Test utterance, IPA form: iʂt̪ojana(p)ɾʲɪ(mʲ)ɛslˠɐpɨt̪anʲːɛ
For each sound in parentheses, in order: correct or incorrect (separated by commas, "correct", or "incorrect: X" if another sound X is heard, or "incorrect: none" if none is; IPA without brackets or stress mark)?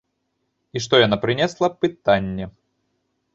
correct, incorrect: nʲ